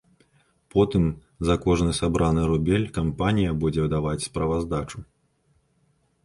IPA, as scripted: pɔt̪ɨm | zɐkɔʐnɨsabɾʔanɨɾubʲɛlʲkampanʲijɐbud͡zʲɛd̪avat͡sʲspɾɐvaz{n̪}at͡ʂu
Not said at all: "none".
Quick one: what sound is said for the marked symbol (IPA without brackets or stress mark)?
d̪